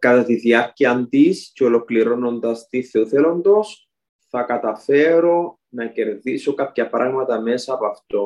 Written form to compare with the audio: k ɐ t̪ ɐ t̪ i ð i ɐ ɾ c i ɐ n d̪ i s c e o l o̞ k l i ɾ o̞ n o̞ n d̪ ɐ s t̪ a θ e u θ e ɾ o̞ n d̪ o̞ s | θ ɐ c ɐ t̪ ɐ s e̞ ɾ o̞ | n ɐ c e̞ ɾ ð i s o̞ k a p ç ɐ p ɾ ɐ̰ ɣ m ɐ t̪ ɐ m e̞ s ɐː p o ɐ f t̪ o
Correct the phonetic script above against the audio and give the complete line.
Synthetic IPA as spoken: k ɐ t̪ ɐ t̪ i ð i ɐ ɾ c i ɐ n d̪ i s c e o l o̞ k l i ɾ o̞ n o̞ n d̪ ɐ s t̪ i θ e u θ e l o̞ n d̪ o̞ s | θ ɐ k ɐ t̪ ɐ f e̞ ɾ o̞ | n ɐ c e̞ ɾ ð i s o̞ k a p ç ɐ p ɾ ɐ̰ ɣ m ɐ t̪ ɐ m e̞ s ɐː p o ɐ f t̪ o